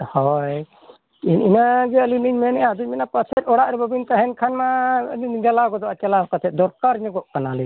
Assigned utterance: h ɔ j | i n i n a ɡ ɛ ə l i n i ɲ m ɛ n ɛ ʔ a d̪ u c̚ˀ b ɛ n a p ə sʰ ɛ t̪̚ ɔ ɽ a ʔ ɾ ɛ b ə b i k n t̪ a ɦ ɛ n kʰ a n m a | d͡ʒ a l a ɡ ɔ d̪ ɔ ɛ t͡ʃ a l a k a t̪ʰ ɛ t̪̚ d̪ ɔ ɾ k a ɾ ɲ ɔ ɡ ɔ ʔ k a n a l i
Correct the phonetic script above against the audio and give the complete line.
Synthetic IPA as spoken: h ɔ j | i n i n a ɡ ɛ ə l i n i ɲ m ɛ n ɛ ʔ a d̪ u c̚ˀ m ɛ n a p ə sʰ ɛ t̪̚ ɔ ɽ a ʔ ɾ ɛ b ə b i n t̪ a ɦ ɛ n kʰ a n m a | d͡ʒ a l a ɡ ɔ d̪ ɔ a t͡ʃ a l a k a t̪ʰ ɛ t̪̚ d̪ ɔ ɾ k a ɾ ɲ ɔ ɡ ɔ ʔ k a n a l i